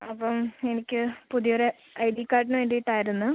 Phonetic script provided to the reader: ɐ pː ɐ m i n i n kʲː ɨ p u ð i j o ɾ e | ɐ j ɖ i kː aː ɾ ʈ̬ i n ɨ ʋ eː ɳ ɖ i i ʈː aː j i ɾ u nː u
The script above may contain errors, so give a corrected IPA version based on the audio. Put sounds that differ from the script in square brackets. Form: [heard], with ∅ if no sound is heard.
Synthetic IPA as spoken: ɐ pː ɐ m [e] n i [∅] kʲː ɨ p u ð i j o ɾ e | ɐ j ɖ i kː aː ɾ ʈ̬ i n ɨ ʋ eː ɳ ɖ i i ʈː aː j i ɾ u nː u